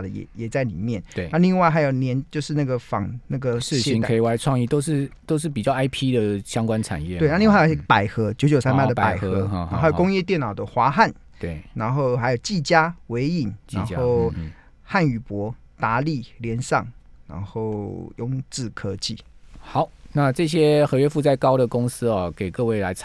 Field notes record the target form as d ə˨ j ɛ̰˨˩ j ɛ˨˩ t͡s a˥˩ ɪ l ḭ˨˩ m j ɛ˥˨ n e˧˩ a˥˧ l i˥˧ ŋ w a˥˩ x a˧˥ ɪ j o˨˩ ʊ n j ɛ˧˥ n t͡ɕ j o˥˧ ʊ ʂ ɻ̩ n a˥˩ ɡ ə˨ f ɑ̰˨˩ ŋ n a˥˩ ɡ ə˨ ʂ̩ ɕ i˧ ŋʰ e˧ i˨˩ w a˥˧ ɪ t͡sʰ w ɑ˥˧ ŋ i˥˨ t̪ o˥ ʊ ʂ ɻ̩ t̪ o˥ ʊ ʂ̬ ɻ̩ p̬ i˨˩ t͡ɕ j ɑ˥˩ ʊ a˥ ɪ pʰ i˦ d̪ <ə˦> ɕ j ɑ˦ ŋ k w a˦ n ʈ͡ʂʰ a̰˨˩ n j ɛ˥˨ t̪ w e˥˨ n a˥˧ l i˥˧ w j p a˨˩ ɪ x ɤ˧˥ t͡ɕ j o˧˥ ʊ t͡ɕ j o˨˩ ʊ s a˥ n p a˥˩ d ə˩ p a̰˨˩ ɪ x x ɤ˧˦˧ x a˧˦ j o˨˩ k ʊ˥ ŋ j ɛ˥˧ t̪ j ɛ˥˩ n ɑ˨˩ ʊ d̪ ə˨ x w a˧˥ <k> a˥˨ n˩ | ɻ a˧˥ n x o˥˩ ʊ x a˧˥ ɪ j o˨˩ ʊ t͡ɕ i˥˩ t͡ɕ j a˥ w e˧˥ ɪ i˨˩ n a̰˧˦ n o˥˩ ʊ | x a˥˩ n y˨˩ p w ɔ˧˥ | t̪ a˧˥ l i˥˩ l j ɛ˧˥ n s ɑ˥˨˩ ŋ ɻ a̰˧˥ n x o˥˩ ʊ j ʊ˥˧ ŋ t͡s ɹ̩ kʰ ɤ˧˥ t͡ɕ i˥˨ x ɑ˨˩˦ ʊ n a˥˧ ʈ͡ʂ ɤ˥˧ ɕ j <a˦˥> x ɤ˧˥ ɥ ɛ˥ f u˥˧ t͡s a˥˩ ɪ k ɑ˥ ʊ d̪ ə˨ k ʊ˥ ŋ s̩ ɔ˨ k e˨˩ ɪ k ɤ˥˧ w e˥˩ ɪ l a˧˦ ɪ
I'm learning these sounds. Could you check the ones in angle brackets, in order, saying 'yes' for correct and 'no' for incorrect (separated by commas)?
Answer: no, no, no